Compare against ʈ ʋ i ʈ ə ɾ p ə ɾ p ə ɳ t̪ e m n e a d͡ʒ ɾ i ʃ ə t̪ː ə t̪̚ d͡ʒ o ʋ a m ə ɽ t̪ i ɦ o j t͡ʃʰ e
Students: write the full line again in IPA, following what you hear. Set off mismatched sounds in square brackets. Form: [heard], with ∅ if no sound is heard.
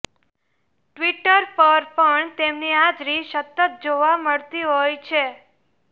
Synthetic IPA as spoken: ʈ ʋ i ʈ ə ɾ p ə ɾ p ə ɳ t̪ e m n [i] a d͡ʒ ɾ i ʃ ə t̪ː ə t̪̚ d͡ʒ o ʋ a m ə [ɭ] t̪ i ɦ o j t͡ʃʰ e